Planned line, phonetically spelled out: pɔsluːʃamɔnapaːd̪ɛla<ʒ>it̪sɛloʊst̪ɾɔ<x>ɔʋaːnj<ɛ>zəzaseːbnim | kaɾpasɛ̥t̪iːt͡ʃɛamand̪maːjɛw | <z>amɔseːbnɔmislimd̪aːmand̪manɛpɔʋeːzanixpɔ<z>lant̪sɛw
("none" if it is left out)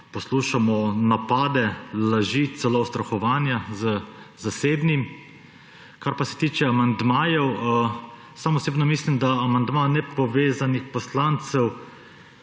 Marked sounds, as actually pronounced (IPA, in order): ʒ, x, a, s, s

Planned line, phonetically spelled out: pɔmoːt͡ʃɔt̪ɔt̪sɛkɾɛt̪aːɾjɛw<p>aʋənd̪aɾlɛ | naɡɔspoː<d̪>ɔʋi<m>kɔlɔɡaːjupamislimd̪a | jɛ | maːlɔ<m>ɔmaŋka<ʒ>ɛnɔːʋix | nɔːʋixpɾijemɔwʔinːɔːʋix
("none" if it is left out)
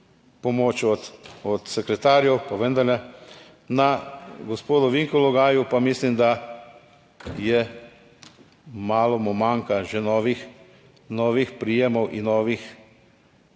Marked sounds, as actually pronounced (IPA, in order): p, d̪, ŋ, m, ʒ

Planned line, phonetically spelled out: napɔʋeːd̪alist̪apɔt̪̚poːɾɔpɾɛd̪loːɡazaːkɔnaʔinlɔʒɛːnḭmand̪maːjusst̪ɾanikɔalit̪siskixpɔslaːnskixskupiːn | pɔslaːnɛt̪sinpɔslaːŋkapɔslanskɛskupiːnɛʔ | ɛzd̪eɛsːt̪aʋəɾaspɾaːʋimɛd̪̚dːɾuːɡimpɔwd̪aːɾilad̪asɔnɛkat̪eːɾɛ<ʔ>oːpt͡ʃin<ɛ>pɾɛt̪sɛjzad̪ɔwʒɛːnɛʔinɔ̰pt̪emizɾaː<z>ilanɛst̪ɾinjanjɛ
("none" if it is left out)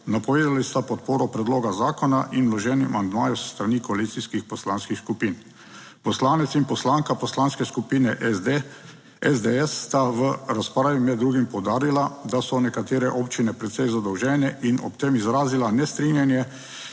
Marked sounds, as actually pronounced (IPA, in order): ʔ, ɛ, z

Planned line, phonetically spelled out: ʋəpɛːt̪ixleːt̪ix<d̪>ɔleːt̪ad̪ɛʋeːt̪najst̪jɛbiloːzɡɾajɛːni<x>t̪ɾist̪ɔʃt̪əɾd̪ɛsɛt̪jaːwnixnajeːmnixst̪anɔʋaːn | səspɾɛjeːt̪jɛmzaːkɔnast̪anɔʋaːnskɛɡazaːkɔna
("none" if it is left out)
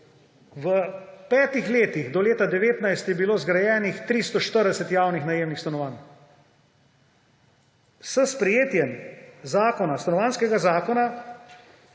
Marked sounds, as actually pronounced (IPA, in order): d̪, x

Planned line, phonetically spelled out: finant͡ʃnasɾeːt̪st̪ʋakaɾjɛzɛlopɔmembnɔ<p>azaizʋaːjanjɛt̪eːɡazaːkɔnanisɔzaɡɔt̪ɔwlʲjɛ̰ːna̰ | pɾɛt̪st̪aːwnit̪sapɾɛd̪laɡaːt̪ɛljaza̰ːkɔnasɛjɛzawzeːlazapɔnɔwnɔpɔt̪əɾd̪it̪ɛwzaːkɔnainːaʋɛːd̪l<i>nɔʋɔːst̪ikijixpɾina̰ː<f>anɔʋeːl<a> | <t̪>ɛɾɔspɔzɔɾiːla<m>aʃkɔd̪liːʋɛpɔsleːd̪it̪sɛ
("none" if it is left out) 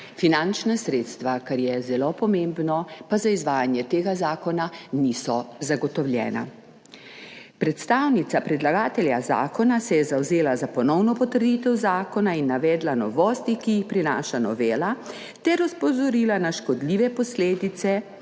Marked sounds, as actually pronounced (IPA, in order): p, a, ʃ, a, t̪, n

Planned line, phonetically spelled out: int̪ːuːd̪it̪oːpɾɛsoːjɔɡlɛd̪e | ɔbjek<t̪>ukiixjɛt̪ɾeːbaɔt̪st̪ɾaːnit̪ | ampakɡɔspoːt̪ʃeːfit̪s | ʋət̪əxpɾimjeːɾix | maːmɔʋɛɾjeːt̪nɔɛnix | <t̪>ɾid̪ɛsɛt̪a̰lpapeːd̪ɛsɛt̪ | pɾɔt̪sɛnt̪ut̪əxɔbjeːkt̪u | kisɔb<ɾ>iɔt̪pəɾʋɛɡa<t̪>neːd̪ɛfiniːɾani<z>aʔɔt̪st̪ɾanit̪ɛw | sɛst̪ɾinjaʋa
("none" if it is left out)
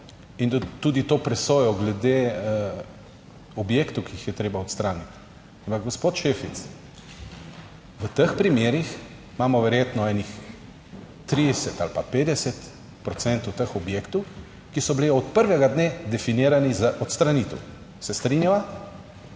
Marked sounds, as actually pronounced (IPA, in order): t̪, t̪, l, d̪, z

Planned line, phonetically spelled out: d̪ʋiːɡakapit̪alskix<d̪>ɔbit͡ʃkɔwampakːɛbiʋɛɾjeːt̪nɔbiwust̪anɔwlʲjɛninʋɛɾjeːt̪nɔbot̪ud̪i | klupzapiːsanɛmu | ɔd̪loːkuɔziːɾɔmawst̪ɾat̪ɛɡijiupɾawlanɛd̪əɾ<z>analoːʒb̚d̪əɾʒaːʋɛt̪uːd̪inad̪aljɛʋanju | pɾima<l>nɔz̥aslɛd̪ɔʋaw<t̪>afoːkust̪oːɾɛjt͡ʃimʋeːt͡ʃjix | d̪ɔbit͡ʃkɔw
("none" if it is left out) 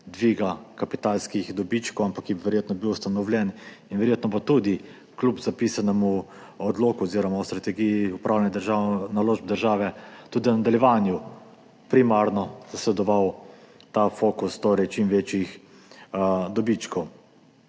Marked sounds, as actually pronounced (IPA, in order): d̪, ʒ, ɾ, t̪

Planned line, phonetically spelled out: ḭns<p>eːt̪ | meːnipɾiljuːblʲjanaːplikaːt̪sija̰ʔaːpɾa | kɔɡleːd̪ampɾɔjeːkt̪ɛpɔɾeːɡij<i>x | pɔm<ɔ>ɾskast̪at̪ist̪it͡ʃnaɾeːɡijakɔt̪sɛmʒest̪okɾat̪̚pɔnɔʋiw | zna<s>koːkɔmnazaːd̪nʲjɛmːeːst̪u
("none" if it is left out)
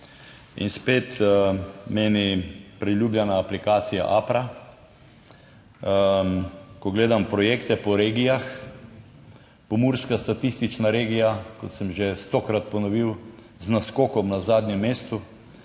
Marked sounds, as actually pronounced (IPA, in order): p, a, u, s

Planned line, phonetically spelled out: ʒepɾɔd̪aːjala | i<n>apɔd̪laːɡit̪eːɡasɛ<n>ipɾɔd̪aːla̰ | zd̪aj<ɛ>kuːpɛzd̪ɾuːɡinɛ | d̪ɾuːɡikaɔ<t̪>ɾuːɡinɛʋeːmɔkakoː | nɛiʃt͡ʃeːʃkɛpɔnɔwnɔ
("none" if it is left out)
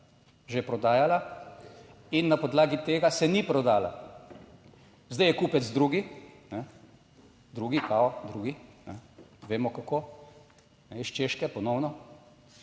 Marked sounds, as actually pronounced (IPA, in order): nː, n, ɛ, d̪

